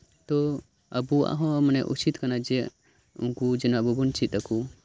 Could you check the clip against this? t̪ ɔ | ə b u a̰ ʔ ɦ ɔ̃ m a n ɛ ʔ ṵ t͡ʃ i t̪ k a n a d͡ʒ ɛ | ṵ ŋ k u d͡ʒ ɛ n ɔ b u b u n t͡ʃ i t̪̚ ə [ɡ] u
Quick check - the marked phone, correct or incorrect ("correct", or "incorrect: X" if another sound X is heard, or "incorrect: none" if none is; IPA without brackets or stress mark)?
incorrect: k